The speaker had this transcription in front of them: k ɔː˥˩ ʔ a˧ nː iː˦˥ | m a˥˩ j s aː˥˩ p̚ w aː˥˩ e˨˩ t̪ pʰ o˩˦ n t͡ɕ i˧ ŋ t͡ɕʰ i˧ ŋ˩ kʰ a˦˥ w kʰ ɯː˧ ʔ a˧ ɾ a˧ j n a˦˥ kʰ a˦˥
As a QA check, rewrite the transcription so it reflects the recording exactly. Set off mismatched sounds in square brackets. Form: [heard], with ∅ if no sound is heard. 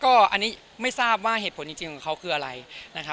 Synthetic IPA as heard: k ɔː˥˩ ʔ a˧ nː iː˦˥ | m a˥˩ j s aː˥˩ p̚ w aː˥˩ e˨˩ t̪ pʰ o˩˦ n t͡ɕ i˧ ŋ [t͡ɕ] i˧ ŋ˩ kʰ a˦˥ w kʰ ɯː˧ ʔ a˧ ɾ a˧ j n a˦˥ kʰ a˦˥